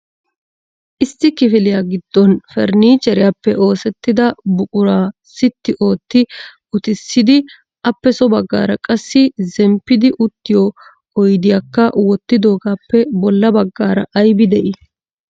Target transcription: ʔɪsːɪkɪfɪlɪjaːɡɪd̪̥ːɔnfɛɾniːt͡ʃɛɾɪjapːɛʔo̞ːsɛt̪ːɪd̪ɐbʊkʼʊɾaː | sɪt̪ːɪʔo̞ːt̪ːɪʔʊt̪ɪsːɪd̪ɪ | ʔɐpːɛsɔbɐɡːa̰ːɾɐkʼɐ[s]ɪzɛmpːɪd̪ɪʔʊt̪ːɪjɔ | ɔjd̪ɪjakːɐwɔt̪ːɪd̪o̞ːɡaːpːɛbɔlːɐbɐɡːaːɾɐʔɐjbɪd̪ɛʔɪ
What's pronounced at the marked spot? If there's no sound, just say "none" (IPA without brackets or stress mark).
sː